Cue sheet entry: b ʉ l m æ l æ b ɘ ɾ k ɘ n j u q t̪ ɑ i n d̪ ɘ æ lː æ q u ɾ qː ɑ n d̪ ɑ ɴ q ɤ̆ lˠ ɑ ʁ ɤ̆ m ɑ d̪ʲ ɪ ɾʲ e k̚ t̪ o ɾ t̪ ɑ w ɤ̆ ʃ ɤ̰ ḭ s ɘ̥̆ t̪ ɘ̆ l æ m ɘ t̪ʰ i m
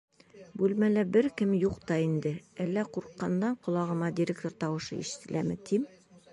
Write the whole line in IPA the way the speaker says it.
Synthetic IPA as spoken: b ʉ l m æ l æ b ɘ ɾ k ɘ m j u q t̪ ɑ i n d̪ ɘ æ lː æ q u ɾ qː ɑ n d̪ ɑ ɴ q ŏ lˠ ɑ ʁ ɤ̆ m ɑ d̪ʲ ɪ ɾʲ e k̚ t̪ o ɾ t̪ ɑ w ɤ̆ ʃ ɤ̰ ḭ ʃ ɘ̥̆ t̪ ɘ̆ l æ m ɘ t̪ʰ i m